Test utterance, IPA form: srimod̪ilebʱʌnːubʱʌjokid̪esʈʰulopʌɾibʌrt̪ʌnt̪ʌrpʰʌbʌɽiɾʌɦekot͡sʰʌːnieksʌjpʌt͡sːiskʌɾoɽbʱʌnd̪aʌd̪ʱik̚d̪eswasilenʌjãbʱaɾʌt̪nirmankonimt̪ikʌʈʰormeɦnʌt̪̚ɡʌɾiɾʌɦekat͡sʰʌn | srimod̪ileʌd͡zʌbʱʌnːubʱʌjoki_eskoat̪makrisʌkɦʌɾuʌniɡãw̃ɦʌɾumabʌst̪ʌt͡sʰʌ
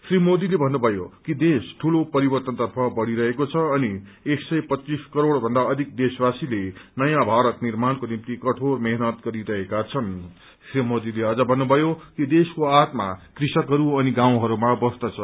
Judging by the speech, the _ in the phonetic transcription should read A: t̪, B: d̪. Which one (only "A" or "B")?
B